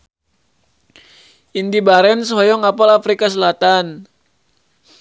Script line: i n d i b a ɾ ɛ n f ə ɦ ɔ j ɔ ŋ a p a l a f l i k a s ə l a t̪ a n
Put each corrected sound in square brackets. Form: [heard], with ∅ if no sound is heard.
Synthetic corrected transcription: i n d i b a ɾ ɛ n [s] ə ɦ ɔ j ɔ ŋ a p a l a f [ɾ] i k a s ə l a t̪ a n

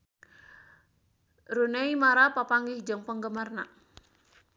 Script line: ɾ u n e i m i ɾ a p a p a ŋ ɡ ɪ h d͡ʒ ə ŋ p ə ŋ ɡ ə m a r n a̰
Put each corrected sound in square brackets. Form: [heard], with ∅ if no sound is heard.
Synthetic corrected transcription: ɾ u n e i m [a] ɾ a p a p a ŋ ɡ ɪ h d͡ʒ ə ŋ p ə ŋ ɡ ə m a r n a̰

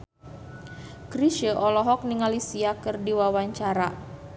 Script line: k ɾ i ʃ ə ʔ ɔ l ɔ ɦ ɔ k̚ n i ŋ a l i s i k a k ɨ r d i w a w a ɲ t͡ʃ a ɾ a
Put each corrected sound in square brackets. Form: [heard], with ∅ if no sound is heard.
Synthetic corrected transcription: k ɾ i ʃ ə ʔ ɔ l ɔ ɦ ɔ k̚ n i ŋ a l i s i [∅] a k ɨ r d i w a w a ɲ t͡ʃ a ɾ a

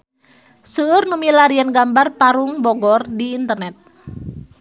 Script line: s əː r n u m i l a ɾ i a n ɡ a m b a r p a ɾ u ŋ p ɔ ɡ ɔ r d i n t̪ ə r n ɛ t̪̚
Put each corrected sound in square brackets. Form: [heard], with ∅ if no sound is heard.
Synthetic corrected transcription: s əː r n u m i l a ɾ i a n ɡ a m b a r p a ɾ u ŋ [b] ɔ ɡ ɔ r d [iː] n t̪ ə r n ɛ t̪̚

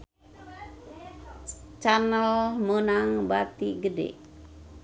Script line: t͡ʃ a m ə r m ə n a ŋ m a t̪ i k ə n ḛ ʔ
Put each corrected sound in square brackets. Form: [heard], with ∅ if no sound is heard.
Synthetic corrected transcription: t͡ʃ a [n] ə [l] m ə n a ŋ [b] a t̪ i [ɡ] ə [d] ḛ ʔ

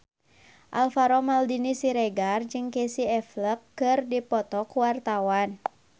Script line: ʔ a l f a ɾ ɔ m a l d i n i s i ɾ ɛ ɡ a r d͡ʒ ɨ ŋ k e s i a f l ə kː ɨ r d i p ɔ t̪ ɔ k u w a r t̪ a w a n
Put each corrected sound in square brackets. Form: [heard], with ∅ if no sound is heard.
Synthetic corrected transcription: ʔ a l f a ɾ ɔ m a l d i n i s i ɾ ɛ ɡ a r d͡ʒ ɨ ŋ k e s i [ɛ] f l ə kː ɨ r d i p ɔ t̪ ɔ k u w a r t̪ a w a n

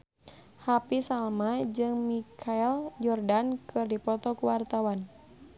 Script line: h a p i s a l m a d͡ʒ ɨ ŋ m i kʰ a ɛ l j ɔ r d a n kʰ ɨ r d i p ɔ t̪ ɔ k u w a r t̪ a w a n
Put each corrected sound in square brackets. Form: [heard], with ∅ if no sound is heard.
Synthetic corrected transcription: h a p i s a l m a d͡ʒ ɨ ŋ m i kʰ a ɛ l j ɔ r d a n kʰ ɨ r d i p ɔ t̪ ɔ k u w a r t̪ a w a n

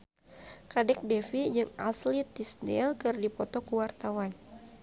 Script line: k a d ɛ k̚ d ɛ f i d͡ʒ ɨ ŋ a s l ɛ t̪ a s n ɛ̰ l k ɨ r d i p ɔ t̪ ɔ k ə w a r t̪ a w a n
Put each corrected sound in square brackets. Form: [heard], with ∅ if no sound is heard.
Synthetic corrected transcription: k a d ɛ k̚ d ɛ f i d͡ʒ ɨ ŋ a s l [i] t̪ [i] s n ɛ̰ l k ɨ r d i p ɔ t̪ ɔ k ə w a r t̪ a w a n

